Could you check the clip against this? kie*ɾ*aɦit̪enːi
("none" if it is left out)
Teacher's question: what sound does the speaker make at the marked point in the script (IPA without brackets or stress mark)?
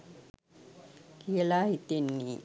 l